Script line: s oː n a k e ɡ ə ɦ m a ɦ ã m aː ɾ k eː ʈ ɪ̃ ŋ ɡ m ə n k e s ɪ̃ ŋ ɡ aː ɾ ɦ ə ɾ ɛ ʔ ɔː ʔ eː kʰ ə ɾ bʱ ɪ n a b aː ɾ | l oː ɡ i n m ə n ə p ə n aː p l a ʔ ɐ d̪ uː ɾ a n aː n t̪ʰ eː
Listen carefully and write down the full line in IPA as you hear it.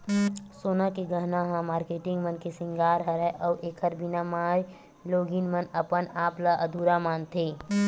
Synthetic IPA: s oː n a k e ɡ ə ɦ n a ɦ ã m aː ɾ k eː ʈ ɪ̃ ŋ ɡ m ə n k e s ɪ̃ ŋ ɡ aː ɾ ɦ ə ɾ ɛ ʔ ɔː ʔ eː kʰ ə ɾ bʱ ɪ n a m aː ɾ | l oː ɡ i n m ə n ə p ə n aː p l a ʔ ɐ d̪ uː ɾ a m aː n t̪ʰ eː